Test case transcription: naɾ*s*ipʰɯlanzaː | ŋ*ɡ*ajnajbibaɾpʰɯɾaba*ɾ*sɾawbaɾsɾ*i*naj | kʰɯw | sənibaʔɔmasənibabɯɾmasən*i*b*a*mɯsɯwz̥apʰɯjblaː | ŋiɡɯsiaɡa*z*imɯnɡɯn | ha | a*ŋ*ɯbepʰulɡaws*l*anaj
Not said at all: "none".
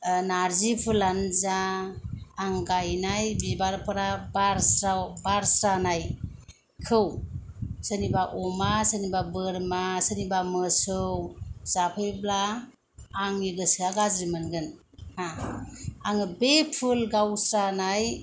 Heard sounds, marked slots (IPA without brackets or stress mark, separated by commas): z, ɡ, ɾ, a, i, a, z, ŋ, ɾ